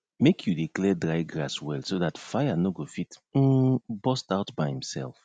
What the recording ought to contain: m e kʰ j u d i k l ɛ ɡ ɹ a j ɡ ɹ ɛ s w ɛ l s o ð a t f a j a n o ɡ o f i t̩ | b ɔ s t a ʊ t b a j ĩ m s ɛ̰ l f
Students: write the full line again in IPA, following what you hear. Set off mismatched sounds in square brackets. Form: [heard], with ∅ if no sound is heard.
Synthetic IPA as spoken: m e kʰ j u d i k l ɛ [d] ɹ a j ɡ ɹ [a] s w ɛ l s o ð a t f a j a n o ɡ o f i t̩ | b ɔ s t a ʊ t b a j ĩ m s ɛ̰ l f